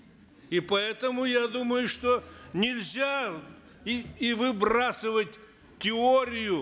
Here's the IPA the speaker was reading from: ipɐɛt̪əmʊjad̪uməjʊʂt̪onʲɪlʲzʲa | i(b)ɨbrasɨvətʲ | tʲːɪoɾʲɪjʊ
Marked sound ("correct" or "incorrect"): incorrect